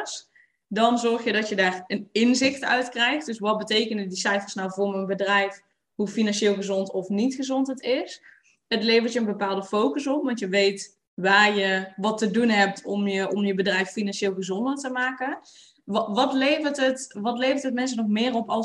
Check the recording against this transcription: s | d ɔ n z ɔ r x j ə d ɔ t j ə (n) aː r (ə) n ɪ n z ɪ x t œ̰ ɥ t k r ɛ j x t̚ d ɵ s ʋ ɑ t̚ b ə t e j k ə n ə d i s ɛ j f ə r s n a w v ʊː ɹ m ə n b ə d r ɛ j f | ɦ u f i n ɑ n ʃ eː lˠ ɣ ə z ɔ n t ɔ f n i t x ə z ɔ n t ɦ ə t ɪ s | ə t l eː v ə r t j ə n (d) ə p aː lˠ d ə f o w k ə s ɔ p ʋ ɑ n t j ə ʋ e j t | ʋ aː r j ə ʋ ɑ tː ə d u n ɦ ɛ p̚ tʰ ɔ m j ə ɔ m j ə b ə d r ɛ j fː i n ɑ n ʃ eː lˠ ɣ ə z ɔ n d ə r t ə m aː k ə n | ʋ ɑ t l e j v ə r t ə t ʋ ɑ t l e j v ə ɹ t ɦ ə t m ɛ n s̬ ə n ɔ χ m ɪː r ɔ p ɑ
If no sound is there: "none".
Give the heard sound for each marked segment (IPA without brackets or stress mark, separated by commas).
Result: d, ə, b